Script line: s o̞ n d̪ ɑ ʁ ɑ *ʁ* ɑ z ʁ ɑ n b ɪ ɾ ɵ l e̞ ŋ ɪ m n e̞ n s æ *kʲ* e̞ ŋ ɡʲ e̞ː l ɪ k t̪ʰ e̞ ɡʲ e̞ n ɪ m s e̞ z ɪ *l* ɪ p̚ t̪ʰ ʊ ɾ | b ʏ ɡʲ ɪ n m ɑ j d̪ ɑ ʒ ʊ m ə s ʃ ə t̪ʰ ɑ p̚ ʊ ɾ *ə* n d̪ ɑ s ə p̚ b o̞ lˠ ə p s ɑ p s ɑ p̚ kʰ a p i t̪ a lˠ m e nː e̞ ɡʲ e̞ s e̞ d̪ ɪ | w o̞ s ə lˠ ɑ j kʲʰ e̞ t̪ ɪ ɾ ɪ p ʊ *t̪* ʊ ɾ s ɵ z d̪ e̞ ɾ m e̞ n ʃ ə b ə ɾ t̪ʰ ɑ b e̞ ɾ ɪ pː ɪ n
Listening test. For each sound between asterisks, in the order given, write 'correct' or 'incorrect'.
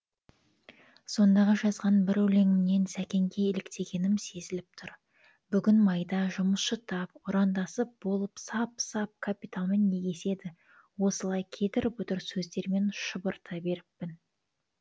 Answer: incorrect, correct, correct, incorrect, correct

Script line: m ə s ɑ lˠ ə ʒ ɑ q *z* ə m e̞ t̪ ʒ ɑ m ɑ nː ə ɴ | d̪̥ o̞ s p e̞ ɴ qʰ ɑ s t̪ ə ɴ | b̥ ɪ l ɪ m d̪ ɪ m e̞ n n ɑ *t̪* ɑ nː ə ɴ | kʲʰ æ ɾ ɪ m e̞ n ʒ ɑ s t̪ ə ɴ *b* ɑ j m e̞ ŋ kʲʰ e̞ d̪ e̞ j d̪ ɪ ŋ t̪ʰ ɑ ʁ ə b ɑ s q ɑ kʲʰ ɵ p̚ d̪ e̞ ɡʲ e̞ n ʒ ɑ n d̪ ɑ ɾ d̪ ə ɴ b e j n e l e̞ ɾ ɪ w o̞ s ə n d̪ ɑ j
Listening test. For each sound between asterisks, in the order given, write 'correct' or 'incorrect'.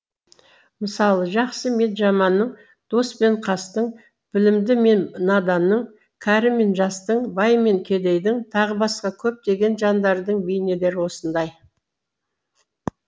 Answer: incorrect, incorrect, correct

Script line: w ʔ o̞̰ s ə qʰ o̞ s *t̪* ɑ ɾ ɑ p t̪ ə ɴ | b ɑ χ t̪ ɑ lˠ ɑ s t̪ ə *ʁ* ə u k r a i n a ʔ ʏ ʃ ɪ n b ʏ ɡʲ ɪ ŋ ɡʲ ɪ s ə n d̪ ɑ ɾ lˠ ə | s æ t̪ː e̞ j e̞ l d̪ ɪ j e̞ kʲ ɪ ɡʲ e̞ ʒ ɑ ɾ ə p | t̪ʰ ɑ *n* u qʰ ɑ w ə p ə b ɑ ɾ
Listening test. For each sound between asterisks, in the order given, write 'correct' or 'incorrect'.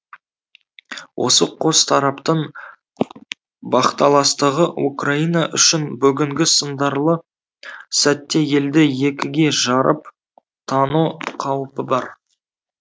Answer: incorrect, correct, correct

